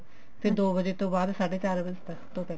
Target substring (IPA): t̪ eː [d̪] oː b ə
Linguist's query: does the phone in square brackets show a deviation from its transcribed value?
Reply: no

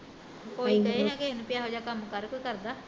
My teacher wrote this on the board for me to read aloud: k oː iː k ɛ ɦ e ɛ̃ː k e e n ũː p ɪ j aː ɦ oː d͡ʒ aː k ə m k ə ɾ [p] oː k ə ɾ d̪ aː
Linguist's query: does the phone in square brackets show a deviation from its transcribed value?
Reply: yes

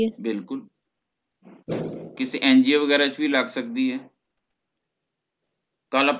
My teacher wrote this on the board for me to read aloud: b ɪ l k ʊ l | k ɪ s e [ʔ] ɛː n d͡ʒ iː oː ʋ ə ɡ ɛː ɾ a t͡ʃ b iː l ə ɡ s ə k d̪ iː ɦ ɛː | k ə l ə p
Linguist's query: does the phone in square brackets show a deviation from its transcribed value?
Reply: no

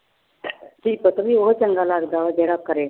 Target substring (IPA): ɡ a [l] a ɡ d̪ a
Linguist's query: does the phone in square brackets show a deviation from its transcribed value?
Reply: no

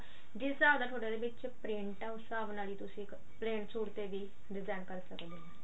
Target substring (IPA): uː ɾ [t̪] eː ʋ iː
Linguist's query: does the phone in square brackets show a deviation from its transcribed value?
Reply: no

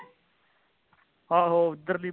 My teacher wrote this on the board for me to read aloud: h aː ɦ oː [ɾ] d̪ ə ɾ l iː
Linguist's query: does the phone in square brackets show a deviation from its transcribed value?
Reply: yes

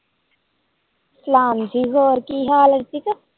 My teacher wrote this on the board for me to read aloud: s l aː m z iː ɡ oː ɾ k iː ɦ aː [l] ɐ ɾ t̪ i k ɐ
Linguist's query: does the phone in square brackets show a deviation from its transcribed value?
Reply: no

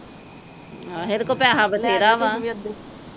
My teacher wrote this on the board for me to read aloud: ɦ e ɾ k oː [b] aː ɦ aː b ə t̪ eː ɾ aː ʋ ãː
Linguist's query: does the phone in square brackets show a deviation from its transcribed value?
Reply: yes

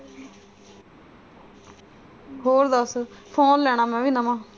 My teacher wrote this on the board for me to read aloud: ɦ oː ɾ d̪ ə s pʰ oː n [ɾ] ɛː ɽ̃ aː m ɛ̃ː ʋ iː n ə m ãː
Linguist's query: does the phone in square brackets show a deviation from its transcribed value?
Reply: yes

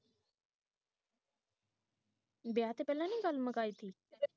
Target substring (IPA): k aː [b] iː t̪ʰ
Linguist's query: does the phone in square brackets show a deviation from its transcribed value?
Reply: yes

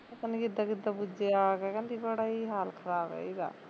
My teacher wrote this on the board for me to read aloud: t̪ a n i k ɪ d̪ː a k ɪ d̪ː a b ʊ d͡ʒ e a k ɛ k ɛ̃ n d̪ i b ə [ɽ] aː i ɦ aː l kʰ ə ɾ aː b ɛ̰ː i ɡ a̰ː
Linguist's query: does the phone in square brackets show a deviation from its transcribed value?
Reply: no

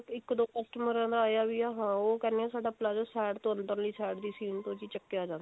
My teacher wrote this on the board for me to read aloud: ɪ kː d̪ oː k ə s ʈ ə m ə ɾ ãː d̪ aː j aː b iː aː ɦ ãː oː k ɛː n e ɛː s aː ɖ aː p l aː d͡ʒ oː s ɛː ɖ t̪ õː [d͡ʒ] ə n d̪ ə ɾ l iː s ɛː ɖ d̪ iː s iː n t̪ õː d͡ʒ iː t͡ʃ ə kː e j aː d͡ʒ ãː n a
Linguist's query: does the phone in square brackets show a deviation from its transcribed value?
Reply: yes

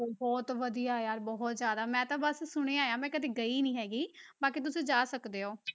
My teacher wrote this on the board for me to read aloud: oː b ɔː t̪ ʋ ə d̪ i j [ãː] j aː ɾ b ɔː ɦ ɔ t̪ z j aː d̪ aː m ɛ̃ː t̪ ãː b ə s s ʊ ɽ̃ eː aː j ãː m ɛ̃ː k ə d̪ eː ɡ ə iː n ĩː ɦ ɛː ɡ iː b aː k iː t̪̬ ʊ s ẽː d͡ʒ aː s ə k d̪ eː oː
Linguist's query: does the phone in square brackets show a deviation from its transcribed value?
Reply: yes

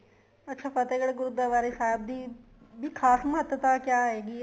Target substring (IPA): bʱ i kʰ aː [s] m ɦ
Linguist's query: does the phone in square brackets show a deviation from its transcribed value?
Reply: no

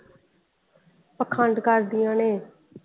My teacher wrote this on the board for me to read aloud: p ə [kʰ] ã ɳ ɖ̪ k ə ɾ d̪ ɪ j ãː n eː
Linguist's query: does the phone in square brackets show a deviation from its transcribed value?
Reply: no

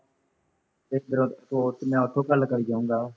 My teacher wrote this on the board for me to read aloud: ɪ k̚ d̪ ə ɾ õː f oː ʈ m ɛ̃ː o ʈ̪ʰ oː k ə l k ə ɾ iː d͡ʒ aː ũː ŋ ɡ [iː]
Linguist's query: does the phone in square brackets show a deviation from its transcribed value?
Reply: yes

